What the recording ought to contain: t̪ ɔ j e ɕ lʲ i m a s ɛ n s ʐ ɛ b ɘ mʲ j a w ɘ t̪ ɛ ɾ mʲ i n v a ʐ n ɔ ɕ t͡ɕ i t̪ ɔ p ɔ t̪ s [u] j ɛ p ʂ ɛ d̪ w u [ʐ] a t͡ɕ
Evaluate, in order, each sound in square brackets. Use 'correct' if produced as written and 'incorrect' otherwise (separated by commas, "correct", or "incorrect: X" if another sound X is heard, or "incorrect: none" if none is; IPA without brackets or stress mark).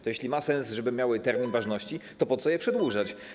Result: incorrect: ɔ, correct